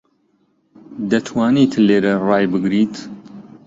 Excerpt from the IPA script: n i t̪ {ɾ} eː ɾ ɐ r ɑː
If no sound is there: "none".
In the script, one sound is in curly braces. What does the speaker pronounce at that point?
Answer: l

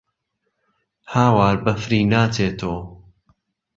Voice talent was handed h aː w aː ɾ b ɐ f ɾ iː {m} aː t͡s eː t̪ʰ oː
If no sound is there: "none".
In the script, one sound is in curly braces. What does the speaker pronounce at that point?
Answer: n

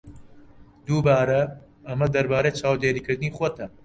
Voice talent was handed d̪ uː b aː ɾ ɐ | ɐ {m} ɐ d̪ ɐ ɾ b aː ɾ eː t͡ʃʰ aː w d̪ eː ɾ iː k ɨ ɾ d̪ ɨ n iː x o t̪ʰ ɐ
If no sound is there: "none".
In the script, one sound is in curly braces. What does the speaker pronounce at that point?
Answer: m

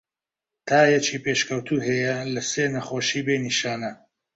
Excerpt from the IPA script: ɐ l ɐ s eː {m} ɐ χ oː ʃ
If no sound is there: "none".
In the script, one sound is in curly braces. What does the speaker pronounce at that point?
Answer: n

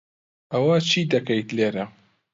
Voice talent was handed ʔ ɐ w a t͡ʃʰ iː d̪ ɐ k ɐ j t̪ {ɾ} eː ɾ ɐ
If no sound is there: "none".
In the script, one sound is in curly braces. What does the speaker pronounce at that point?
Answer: l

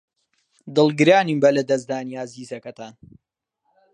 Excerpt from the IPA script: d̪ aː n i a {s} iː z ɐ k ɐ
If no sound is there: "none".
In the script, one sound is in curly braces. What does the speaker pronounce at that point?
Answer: z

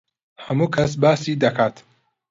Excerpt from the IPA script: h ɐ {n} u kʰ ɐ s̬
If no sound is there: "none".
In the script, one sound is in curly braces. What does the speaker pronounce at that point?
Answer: m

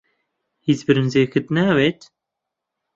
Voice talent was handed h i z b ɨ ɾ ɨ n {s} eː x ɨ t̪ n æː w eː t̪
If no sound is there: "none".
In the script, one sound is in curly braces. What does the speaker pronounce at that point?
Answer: z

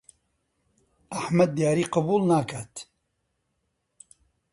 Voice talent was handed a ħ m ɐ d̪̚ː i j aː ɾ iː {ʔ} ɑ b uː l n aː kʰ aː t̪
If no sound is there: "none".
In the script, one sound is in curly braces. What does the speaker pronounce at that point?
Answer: q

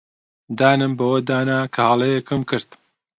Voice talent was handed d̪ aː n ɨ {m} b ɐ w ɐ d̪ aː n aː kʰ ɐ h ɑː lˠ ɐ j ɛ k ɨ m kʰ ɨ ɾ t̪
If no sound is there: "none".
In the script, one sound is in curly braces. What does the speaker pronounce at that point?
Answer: m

